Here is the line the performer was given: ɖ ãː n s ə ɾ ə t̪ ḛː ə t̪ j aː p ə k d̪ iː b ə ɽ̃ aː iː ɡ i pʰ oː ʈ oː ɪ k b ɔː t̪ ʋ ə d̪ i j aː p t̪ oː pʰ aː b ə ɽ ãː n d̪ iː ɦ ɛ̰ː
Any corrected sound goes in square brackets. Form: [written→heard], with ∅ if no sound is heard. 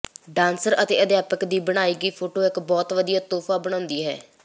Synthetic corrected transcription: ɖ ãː n s ə ɾ ə t̪ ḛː ə [t̪→d̪] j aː p ə k d̪ iː b ə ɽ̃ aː iː ɡ [i→iː] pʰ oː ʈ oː ɪ k b ɔː t̪ ʋ ə d̪ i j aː [p→∅] t̪ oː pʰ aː b ə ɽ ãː n d̪ iː ɦ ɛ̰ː